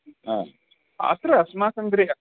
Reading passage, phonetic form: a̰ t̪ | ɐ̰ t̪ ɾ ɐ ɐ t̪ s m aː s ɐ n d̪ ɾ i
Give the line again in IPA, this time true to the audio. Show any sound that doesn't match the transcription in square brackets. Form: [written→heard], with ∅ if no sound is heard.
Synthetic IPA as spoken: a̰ [t̪→∅] | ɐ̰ t̪ ɾ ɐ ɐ [t̪→∅] s m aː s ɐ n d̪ ɾ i